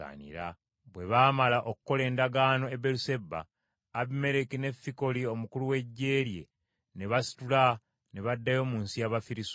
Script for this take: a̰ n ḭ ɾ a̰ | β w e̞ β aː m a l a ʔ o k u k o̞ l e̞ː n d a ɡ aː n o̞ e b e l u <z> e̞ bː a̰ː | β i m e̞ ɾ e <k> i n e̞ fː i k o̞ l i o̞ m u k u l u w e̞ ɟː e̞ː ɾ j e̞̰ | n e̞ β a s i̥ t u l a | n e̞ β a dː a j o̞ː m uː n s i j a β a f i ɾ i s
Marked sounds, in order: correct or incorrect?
incorrect, correct

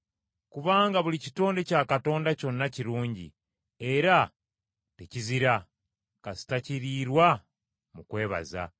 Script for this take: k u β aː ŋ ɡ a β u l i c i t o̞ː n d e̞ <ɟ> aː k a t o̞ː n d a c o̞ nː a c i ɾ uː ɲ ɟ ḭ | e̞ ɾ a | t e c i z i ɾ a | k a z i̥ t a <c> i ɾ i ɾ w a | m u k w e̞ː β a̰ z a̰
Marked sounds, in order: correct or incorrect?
incorrect, correct

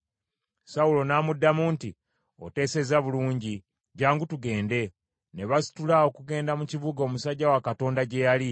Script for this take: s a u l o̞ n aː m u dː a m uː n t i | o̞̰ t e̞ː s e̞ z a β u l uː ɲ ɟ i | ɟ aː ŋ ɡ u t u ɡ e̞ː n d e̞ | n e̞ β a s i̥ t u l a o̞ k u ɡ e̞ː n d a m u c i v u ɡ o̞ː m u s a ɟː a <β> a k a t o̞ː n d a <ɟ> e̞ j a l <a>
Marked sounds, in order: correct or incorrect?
incorrect, correct, incorrect

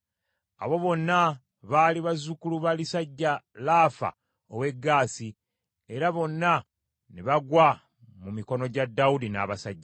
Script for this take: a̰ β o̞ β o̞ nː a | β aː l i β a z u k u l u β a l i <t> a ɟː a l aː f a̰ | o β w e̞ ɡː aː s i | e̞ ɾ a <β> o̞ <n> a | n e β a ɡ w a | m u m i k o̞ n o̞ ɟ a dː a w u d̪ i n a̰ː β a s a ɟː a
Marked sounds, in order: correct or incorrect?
incorrect, correct, incorrect

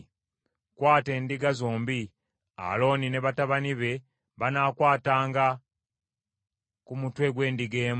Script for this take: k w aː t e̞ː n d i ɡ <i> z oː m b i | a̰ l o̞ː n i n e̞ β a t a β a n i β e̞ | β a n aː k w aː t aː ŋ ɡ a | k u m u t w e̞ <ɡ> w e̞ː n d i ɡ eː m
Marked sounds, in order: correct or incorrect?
incorrect, correct

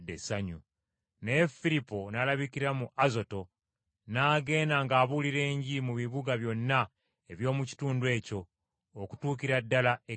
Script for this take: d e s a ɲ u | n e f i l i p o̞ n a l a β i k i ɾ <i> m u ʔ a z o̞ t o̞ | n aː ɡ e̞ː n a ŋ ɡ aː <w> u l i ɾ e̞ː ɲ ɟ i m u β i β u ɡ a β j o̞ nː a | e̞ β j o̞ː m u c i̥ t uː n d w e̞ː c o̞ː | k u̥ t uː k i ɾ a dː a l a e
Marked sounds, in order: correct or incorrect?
incorrect, incorrect

